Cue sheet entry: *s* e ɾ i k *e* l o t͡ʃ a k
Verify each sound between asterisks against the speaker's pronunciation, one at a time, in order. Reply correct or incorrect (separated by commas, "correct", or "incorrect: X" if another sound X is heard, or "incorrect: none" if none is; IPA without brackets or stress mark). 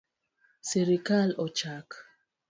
correct, incorrect: a